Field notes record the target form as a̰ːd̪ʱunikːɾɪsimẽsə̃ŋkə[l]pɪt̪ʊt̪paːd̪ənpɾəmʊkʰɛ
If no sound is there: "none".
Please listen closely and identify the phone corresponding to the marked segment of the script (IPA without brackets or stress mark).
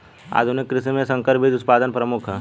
ɾ